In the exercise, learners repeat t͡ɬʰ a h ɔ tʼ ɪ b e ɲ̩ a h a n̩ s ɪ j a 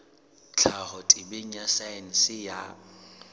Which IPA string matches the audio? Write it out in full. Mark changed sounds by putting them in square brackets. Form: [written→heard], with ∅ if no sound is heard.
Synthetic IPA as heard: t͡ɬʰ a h ɔ tʼ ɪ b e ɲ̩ a [h→s] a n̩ s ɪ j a